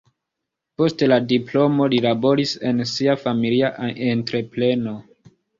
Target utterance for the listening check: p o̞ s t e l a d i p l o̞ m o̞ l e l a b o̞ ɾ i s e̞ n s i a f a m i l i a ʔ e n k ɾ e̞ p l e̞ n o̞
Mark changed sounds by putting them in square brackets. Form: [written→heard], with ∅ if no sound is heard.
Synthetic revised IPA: p o̞ s t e l a d i p l o̞ m o̞ l [e→i] l a b o̞ ɾ i s e̞ n s i a f a m i l i a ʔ e n [k→t] ɾ e̞ p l e̞ n o̞